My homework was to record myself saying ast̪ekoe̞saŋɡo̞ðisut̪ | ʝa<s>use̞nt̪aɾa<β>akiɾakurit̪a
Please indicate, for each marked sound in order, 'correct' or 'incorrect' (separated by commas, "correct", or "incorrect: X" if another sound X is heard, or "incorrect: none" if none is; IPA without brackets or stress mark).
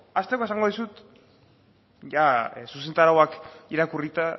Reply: correct, incorrect: w